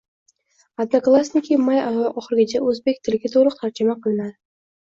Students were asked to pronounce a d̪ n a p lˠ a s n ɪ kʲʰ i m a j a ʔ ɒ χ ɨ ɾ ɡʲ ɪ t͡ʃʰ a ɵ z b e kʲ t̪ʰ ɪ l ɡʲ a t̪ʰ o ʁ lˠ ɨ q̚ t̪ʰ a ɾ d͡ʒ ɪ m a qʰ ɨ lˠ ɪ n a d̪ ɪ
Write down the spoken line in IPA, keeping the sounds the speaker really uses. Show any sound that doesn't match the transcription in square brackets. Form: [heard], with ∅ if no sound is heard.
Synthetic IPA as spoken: a d̪ n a [k] lˠ a s n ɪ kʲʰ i m a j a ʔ ɒ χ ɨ ɾ ɡʲ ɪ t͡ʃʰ a ɵ z b e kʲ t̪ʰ ɪ l ɡʲ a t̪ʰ o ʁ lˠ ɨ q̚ t̪ʰ a ɾ d͡ʒ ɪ m a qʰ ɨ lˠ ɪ n a d̪ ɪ